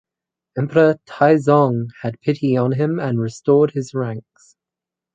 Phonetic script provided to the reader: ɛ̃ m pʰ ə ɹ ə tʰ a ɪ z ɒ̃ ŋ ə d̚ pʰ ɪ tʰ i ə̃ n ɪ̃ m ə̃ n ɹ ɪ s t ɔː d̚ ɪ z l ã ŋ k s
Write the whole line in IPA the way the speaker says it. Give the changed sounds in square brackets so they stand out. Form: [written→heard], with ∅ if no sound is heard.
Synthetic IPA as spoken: ɛ̃ m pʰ ə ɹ ə tʰ a ɪ z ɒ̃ ŋ ə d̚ pʰ ɪ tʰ i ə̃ n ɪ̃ m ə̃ n ɹ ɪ s t ɔː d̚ ɪ z [l→ɹ] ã ŋ k s